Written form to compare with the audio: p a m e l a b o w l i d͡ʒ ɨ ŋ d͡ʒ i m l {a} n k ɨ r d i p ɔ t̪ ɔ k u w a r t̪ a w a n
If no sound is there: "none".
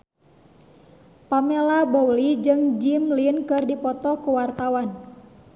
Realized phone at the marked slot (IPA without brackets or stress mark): i